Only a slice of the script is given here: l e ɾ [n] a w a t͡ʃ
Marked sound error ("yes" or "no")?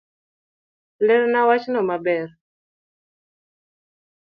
no